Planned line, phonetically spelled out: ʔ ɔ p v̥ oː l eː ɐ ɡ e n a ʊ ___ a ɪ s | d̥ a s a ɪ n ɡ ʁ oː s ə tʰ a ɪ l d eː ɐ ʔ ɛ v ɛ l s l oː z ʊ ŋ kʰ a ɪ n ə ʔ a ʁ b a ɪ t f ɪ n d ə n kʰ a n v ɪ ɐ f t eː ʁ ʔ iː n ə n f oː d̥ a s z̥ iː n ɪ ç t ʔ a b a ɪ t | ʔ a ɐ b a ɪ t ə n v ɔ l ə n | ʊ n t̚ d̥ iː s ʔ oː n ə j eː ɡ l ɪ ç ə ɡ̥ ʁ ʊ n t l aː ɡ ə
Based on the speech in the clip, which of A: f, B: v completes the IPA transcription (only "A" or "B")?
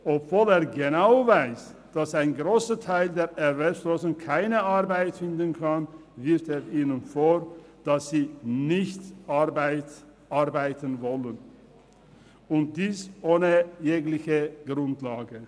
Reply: B